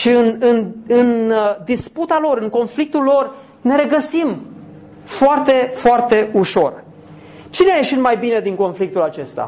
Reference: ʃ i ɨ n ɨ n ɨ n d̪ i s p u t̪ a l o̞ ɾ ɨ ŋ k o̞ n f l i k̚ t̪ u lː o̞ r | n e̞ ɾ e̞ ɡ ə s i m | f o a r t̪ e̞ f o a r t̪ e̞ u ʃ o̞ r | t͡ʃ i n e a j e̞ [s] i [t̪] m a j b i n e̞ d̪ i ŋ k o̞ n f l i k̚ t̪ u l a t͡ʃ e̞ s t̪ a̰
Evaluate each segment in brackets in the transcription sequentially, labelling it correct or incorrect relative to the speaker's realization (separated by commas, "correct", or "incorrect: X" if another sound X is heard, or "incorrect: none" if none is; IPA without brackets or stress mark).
incorrect: ʃ, correct